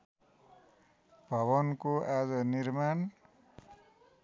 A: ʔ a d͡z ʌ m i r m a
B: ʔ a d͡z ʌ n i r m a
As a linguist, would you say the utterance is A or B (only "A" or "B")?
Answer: B